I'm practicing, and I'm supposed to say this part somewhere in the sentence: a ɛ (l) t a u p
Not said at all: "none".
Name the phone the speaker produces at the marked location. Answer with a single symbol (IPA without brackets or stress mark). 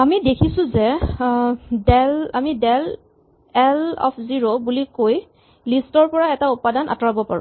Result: none